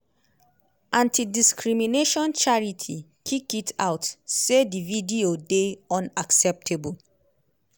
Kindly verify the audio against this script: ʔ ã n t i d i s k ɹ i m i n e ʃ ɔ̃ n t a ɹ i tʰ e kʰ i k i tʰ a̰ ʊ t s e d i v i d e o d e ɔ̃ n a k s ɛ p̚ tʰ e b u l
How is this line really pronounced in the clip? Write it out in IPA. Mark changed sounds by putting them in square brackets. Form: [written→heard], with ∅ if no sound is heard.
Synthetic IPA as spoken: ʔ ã n t i d i s k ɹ i m i n e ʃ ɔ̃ n [t→t͡ʃ] a ɹ i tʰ [e→i] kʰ i k i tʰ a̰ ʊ t s e d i v i d [e→i] o d e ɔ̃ n a k s ɛ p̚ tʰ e b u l